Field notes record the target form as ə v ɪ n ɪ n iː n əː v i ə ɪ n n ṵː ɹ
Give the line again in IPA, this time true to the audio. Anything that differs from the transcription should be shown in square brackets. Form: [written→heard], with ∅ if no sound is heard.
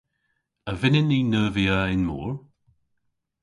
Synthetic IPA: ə v ɪ n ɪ n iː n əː v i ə ɪ n [n→m] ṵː ɹ